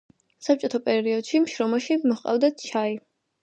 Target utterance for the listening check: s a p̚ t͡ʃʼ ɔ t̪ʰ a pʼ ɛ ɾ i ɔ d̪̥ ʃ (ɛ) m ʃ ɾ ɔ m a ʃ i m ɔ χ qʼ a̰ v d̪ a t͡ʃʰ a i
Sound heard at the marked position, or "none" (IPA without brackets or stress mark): i